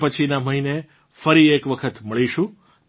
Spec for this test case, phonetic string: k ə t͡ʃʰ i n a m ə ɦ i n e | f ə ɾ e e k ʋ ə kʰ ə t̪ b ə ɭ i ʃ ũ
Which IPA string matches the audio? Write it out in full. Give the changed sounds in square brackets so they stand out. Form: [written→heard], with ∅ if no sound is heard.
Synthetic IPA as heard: [k→p] ə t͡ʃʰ i n a m ə ɦ i n e | f ə ɾ [e→i] e k ʋ ə kʰ ə t̪ [b→m] ə ɭ i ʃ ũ